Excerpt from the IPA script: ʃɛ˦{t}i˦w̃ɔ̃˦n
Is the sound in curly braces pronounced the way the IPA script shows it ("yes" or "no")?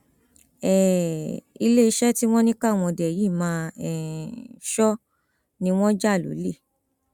yes